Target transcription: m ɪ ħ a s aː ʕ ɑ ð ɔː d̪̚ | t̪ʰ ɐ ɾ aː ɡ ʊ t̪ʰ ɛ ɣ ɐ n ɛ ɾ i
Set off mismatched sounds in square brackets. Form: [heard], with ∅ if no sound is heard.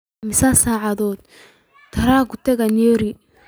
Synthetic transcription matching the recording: m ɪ [s] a s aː ʕ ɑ ð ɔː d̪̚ | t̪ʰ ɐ ɾ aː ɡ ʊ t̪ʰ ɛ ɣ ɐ n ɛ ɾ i

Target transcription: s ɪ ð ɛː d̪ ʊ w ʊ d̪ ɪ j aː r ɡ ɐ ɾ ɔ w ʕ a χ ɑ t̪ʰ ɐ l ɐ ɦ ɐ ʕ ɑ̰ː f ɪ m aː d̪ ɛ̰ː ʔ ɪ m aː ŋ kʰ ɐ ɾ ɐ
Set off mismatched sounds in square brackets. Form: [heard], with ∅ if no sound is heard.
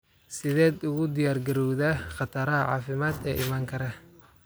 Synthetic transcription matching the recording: s ɪ ð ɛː d̪ ʊ [ɣ] ʊ d̪ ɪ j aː r ɡ ɐ ɾ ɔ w [ð] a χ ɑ t̪ʰ ɐ [ɾ] ɐ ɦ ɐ ʕ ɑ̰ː f ɪ m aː d̪ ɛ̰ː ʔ ɪ m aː ŋ kʰ ɐ ɾ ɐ

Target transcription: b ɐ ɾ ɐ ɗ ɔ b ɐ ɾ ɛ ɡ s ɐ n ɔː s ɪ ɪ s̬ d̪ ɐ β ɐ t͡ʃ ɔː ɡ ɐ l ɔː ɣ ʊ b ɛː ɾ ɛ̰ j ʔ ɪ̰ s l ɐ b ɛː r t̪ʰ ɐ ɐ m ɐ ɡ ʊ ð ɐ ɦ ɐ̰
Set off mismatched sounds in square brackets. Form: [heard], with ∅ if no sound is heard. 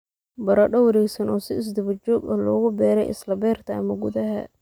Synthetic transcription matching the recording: b ɐ ɾ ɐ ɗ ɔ [w] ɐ ɾ ɛ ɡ s ɐ n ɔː s ɪ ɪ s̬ d̪ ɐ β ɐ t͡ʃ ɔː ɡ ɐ l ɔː ɣ ʊ b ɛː ɾ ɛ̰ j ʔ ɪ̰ s l ɐ b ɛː r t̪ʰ ɐ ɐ m ɐ ɡ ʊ ð ɐ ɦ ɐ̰

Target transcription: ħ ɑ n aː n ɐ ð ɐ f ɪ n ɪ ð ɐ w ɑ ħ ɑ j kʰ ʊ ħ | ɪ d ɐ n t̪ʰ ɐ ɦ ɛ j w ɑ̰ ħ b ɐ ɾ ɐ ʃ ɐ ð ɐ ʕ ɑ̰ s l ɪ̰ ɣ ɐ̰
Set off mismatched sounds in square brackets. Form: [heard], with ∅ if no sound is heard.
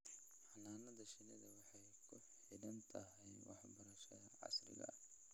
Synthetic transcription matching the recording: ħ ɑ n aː n ɐ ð ɐ [ʃ] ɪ n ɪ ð ɐ w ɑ ħ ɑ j kʰ ʊ ħ | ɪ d ɐ n t̪ʰ ɐ ɦ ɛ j w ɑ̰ ħ b ɐ ɾ ɐ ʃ ɐ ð ɐ ʕ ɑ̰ s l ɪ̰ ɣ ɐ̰

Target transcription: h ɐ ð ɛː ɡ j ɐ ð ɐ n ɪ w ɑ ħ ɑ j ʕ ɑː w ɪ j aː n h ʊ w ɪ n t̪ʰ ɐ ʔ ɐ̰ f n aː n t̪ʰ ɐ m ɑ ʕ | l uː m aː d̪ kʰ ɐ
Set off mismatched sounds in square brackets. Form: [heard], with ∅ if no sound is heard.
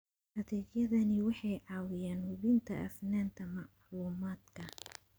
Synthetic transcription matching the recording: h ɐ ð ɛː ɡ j ɐ ð ɐ n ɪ w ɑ ħ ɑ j ʕ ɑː w ɪ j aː n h ʊ [β] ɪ n t̪ʰ ɐ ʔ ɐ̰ f n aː n t̪ʰ ɐ m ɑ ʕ | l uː m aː d̪ kʰ ɐ

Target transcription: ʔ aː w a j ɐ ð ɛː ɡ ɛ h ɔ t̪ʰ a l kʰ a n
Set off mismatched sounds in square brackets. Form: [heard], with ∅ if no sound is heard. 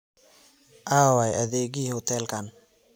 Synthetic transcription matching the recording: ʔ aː w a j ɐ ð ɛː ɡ [i] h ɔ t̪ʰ [ɛ] l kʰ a n

